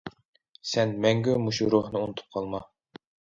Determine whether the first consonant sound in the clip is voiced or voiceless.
voiceless